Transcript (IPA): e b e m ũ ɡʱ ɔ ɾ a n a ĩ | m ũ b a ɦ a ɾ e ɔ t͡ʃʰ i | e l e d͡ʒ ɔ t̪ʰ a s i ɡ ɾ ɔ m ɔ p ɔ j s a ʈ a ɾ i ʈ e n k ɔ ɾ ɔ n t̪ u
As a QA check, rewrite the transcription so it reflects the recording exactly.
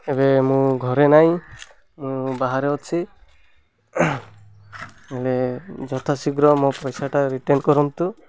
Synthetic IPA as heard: e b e m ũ ɡʱ ɔ ɾ e n a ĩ | m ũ b a ɦ a ɾ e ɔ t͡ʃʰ i | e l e d͡ʒ ɔ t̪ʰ a s i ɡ ɾ ɔ m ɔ p ɔ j s a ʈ a ɾ i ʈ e n k ɔ ɾ ɔ n t̪ u